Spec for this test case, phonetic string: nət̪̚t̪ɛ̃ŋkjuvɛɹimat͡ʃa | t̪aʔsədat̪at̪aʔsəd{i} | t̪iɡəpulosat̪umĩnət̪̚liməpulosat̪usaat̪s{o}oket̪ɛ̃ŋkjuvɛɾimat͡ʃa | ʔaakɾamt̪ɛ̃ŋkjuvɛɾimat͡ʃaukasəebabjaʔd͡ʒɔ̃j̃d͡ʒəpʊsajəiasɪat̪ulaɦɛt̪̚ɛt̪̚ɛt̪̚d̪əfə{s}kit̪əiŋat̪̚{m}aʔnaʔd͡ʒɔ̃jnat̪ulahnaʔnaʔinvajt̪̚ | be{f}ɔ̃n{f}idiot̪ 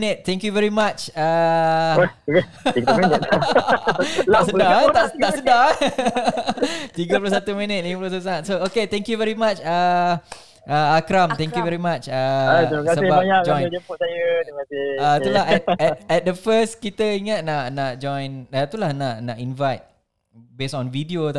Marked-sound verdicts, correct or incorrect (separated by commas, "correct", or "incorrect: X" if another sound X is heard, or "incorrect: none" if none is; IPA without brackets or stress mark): incorrect: a, correct, correct, incorrect: n, incorrect: s, incorrect: v